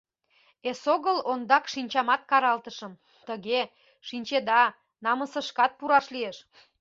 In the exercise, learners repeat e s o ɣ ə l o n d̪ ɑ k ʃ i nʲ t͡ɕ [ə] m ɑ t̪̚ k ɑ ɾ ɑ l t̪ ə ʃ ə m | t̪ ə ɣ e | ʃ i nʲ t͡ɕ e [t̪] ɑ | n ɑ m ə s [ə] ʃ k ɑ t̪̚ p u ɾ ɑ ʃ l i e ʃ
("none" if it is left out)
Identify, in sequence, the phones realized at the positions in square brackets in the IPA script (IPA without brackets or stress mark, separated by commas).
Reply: ɑ, d̪, ə